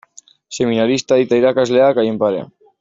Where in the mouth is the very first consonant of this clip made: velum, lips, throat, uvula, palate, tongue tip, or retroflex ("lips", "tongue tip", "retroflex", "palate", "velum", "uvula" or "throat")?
tongue tip